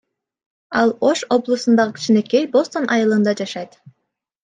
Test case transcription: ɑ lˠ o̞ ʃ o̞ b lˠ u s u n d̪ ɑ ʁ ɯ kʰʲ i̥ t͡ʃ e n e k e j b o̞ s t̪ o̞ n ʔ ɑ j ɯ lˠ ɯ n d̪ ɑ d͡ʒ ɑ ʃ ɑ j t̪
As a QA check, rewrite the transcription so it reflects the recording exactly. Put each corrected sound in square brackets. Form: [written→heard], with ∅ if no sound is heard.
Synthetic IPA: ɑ lˠ o̞ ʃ o̞ b lˠ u s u n d̪ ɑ ʁ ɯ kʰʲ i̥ t͡ʃ [e→i] n e k e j b o̞ s t̪ o̞ n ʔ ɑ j ɯ lˠ ɯ n d̪ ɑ d͡ʒ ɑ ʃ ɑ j t̪